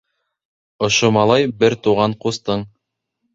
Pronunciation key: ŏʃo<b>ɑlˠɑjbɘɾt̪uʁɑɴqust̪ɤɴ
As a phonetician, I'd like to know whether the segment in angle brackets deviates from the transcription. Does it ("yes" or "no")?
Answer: yes